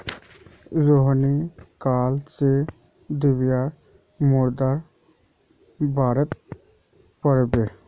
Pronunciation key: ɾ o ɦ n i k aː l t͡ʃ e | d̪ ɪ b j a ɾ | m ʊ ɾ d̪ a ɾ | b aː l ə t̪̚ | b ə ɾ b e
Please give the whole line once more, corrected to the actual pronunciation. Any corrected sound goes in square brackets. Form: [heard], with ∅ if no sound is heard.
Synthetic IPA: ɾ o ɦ n i k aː l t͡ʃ e | d̪ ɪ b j a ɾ | m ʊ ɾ d̪ a ɾ | b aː [ɾ] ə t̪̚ | [p] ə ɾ b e